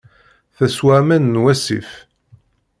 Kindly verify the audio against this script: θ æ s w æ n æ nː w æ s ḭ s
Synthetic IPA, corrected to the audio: θ æ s w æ m æ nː w æ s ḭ f